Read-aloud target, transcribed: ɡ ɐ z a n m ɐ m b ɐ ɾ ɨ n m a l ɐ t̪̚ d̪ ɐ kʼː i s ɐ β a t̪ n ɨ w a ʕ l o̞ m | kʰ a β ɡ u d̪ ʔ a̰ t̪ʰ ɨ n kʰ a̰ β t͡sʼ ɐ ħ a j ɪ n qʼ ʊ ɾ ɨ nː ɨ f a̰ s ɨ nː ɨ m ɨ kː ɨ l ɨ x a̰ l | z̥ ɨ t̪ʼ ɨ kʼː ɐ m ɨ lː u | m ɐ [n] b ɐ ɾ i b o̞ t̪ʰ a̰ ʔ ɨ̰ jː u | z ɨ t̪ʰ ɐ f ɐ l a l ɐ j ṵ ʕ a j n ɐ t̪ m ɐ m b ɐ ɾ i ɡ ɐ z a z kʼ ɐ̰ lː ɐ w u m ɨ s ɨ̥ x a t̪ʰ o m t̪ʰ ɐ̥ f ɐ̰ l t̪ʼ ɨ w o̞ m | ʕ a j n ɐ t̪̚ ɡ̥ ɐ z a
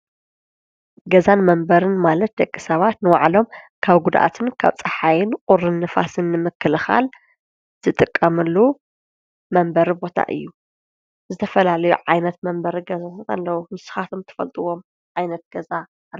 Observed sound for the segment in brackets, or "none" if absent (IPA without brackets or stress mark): m